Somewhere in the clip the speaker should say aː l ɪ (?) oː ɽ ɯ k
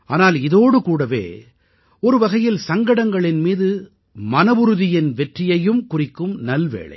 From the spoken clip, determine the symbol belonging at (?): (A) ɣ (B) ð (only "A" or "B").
B